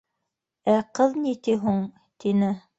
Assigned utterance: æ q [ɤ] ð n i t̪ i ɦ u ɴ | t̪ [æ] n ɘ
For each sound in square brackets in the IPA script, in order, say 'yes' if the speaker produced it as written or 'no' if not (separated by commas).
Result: yes, no